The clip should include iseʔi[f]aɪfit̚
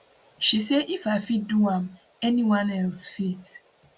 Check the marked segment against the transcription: correct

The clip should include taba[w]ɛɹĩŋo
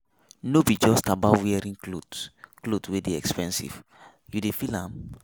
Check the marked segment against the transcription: correct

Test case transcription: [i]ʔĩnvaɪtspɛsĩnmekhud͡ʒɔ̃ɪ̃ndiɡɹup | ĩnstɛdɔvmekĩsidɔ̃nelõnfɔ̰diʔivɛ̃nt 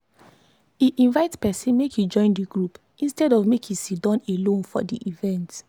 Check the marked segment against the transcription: correct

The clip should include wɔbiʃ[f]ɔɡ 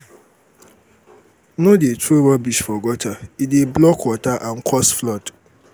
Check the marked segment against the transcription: correct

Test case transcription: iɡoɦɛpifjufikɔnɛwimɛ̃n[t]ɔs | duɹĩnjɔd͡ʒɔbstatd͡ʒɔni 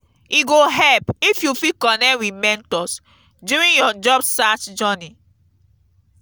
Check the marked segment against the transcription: correct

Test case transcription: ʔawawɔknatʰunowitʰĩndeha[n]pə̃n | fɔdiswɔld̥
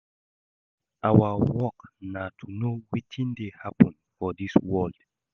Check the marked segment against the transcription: incorrect: none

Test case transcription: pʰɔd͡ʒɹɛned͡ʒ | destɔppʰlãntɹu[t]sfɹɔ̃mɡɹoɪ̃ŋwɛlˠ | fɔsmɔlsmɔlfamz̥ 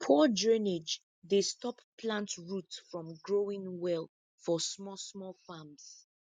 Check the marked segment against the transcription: correct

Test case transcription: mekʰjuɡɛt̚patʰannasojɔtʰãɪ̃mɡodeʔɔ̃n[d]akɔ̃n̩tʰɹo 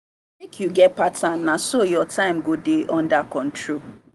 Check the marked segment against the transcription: correct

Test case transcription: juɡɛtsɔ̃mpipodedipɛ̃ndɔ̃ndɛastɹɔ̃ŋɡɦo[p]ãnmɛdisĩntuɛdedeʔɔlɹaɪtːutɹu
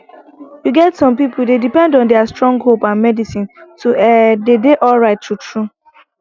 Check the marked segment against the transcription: correct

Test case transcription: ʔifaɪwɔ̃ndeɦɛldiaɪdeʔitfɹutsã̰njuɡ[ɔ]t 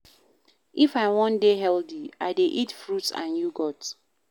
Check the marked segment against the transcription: correct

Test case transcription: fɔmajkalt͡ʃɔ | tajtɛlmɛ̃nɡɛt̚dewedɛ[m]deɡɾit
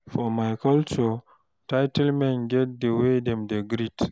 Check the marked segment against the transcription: correct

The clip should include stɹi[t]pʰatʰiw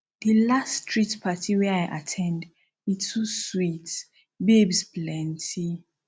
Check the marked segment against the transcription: correct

